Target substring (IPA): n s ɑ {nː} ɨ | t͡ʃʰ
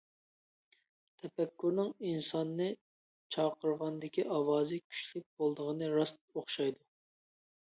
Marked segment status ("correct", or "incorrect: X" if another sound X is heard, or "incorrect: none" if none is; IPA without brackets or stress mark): correct